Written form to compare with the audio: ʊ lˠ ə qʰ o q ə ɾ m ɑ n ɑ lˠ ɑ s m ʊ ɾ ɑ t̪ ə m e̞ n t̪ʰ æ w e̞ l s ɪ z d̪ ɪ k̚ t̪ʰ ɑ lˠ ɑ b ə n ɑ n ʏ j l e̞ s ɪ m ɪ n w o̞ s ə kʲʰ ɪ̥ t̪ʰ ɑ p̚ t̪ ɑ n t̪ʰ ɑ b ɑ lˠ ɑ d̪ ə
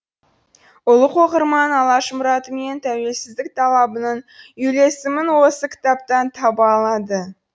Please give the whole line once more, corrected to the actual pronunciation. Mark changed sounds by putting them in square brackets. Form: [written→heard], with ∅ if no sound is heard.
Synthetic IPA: ʊ lˠ ə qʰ o q ə ɾ m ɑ n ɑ lˠ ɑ [s→ʃ] m ʊ ɾ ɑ t̪ ə m e̞ n t̪ʰ æ w e̞ l s ɪ z d̪ ɪ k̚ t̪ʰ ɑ lˠ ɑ b ə n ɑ n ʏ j l e̞ s ɪ m ɪ n w o̞ s ə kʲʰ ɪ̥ [t̪ʰ→t̪] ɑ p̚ t̪ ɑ n t̪ʰ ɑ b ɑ lˠ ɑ d̪ ə